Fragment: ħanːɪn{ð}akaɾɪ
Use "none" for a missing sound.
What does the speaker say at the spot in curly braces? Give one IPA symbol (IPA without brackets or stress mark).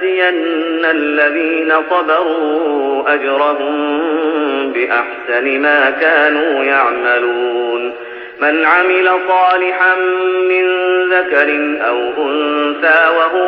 ð